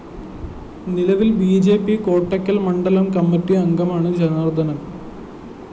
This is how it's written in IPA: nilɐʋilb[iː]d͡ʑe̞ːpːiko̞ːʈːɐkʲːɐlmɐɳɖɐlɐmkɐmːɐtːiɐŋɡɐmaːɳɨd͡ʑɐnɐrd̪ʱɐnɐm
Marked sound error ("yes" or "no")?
no